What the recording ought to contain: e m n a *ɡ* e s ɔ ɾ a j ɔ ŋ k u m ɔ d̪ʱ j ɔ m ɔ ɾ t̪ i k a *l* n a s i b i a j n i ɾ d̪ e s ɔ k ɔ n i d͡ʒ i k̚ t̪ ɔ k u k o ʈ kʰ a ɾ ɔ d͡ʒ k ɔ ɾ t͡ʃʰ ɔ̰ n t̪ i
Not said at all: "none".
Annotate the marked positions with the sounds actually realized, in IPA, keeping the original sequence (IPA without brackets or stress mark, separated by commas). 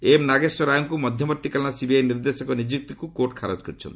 ɡ, l